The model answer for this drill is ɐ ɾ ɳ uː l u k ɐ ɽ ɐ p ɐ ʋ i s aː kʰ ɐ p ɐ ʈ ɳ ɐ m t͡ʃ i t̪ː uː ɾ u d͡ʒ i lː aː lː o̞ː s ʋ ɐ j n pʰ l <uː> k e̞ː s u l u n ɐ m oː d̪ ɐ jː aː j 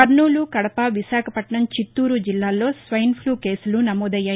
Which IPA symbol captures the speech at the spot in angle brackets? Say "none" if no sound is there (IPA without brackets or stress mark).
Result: uː